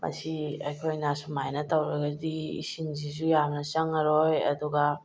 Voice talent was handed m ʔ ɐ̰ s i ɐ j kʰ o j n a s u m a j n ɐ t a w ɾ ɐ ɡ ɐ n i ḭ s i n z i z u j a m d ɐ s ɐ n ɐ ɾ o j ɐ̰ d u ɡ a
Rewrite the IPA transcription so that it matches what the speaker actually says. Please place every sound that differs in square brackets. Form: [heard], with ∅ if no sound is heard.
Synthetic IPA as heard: m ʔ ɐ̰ s i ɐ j kʰ o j n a s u m a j n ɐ t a w ɾ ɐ ɡ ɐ [d] i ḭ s i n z i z u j a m [n] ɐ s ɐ [ŋ] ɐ ɾ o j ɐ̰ d u ɡ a

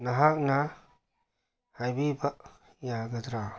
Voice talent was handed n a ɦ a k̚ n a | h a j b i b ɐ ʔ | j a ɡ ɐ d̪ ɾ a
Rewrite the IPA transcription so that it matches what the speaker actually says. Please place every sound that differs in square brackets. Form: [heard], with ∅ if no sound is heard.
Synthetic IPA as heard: n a ɦ a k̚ n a | h a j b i b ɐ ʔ | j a ɡ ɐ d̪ ɾ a

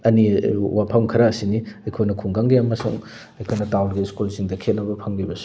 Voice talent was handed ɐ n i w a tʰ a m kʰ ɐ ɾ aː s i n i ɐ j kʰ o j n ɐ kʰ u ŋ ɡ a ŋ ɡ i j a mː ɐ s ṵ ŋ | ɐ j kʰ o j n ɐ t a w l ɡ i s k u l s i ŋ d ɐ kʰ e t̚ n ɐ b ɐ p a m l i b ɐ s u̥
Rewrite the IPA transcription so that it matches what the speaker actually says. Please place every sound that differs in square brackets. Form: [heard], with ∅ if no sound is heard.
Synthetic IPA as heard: ɐ n i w a [pʰ] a m kʰ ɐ ɾ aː s i n i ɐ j kʰ o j n ɐ kʰ u ŋ ɡ a ŋ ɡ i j a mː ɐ s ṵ ŋ | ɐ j kʰ o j n ɐ t a w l ɡ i s k u l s i ŋ d ɐ kʰ e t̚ n ɐ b ɐ [pʰ] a [ŋ] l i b ɐ s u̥

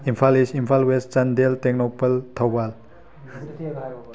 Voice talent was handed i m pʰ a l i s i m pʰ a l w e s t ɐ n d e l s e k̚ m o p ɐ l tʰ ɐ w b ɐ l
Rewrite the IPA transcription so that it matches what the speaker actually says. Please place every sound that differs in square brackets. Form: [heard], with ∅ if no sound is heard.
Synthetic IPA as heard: i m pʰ a l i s i m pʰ a l w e s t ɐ n d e l [t] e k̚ [n] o p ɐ l tʰ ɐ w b [a] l

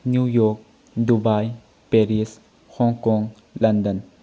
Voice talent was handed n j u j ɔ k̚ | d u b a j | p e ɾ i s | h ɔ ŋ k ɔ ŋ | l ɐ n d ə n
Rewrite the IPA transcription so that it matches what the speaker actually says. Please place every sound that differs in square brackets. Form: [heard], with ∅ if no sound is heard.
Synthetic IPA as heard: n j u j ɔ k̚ | d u b a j | p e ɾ i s | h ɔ ŋ k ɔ ŋ | l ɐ n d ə n

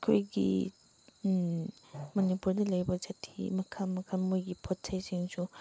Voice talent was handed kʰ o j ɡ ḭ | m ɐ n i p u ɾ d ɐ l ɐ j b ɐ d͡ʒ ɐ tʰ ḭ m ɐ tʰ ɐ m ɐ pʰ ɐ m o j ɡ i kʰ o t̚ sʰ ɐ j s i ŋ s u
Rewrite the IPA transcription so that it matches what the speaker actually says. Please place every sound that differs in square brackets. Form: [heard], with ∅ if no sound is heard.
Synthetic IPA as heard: kʰ o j ɡ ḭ | m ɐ n i p u ɾ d ɐ l ɐ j b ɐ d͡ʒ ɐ tʰ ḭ m ɐ [kʰ] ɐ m ɐ [kʰ] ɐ m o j ɡ i [pʰ] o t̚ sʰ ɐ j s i ŋ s u

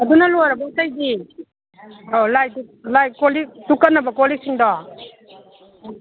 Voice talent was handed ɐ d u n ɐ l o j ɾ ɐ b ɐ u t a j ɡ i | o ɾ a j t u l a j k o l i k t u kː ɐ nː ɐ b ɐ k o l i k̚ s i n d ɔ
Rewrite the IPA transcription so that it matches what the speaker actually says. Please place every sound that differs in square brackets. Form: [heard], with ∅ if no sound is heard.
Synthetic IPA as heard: ɐ d u n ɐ l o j ɾ ɐ b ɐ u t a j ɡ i | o [l] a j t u l a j k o l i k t u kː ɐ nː ɐ b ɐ k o l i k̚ s i [ŋ] d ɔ

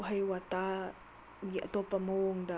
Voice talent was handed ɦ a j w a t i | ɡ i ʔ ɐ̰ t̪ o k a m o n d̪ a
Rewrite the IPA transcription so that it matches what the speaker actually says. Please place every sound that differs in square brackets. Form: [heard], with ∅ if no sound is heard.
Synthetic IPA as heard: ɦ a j w a t [a] | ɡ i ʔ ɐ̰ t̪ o [p] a m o [ŋ] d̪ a

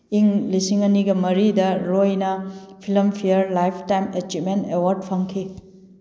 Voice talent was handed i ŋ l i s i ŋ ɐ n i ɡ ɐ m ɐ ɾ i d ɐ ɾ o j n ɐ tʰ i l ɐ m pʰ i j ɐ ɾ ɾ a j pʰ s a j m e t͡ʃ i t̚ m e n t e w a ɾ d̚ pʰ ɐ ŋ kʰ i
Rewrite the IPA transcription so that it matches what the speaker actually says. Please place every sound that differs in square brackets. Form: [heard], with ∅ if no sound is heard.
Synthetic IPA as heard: i ŋ l i s i ŋ ɐ n i ɡ ɐ m ɐ ɾ i d ɐ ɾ o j n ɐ [pʰ] i l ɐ m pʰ i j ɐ ɾ [l] a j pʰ [t] a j m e t͡ʃ i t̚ m e n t e w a ɾ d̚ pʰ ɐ ŋ kʰ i

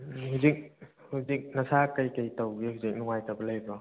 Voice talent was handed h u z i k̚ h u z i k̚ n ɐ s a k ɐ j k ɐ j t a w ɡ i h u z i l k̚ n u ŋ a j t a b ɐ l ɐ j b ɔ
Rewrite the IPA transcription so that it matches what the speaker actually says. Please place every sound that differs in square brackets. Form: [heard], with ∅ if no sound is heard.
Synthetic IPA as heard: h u z i k̚ h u z i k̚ n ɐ s a k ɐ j k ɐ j t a w ɡ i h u z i [∅] k̚ n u ŋ a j t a b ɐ l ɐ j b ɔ

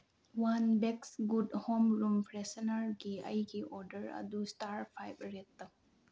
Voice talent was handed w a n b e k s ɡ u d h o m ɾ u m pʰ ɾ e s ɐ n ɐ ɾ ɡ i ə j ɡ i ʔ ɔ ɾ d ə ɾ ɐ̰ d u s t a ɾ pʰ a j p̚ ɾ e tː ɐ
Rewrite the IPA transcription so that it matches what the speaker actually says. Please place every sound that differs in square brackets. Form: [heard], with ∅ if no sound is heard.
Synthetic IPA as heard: w a n b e k s ɡ u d h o m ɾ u m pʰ ɾ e s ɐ n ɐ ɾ ɡ i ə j ɡ i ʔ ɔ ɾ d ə ɾ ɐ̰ d u s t a ɾ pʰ a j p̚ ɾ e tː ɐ

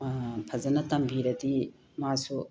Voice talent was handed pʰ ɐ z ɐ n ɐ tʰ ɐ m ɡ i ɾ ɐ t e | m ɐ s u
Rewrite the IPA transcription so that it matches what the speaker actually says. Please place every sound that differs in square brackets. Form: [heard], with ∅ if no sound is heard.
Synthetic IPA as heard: pʰ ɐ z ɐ n ɐ [t] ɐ m [b] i ɾ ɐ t [i] | m [a] s u

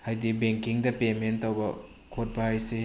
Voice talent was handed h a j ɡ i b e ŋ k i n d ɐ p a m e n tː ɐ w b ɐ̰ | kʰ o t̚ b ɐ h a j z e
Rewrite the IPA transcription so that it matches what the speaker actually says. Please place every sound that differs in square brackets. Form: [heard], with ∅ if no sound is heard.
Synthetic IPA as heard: h a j [d] i b e ŋ k i [ŋ] d ɐ p [e] m e n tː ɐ w b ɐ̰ | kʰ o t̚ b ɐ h a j [s] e

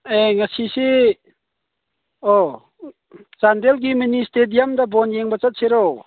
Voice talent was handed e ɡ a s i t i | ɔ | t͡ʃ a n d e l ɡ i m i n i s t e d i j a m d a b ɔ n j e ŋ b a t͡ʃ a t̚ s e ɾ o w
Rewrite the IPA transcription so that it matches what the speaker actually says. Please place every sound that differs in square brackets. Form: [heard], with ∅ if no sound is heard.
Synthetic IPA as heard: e [ŋ] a s i [s] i | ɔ | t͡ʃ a n d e l ɡ i m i n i s t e d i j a m d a b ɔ n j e ŋ b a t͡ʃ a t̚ s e ɾ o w

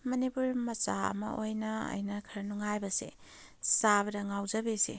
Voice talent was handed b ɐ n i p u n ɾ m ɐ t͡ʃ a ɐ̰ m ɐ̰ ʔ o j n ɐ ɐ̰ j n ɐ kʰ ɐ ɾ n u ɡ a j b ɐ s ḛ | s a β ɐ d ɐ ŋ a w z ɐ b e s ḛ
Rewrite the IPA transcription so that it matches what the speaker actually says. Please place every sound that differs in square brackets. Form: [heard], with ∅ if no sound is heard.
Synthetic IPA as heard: [m] ɐ n i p u [∅] ɾ m ɐ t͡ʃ a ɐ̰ m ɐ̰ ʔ o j n ɐ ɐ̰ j n ɐ kʰ ɐ ɾ n u [ŋ] a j b ɐ s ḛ | s a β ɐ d ɐ ŋ a w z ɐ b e s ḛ

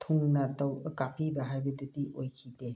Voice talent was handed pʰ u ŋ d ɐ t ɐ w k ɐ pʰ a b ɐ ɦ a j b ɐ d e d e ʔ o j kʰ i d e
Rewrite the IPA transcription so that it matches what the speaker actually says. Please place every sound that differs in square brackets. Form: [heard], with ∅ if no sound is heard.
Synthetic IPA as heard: [tʰ] u ŋ [n] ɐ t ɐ w k [a] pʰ [i] b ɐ ɦ a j b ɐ d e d [i] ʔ o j kʰ i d e

